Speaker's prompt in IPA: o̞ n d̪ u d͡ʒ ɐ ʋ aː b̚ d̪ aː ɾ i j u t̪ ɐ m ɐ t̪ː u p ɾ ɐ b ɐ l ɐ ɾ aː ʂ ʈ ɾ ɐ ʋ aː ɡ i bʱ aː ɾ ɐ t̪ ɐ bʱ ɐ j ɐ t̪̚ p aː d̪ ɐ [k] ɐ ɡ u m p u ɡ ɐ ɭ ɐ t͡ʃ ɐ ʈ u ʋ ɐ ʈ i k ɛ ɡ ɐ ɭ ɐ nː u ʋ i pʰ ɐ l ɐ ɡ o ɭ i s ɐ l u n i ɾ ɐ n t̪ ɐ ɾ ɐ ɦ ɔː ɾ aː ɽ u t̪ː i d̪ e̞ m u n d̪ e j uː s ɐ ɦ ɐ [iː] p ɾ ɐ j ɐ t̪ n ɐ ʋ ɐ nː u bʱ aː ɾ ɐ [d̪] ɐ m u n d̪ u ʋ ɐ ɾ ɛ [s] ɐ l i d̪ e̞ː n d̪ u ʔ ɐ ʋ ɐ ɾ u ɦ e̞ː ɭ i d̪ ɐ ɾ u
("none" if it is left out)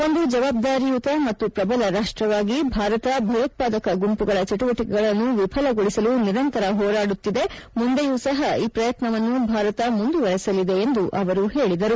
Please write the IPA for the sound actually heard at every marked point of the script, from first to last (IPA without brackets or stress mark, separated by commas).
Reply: k, iː, t̪, s